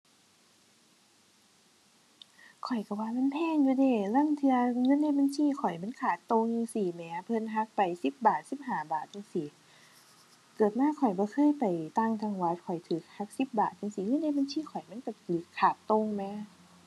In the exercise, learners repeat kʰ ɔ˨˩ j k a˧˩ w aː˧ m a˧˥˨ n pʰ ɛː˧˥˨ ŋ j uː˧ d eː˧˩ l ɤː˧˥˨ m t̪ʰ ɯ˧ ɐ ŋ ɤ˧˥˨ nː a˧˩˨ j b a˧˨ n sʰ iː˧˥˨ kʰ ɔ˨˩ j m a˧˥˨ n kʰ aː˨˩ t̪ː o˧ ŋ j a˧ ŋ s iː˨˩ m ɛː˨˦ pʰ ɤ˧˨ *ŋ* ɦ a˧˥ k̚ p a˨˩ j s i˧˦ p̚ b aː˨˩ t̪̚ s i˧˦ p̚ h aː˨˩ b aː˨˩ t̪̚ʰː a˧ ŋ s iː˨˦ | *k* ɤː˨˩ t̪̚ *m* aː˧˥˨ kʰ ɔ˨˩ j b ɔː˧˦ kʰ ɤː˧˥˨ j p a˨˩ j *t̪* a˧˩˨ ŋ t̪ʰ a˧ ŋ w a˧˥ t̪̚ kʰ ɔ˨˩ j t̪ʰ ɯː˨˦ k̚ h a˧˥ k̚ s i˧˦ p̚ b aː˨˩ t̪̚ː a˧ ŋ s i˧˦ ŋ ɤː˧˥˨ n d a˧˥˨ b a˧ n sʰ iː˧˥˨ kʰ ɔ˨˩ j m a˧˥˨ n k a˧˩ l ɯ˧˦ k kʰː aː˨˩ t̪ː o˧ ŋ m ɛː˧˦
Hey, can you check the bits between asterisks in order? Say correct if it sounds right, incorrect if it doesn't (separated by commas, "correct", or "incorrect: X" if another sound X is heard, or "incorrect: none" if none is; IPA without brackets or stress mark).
incorrect: n, correct, correct, correct